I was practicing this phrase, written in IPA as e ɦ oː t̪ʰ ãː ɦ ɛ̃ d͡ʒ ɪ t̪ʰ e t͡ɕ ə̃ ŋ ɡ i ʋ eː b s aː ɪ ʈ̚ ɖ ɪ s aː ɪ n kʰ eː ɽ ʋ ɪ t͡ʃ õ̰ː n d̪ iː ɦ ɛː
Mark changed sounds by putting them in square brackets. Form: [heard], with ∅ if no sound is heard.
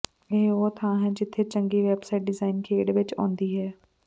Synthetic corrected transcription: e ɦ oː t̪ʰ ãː ɦ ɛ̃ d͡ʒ ɪ t̪ʰ e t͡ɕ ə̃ ŋ ɡ i ʋ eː b s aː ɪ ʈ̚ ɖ ɪ [z] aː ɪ n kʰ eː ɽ ʋ ɪ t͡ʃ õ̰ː n d̪ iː ɦ ɛː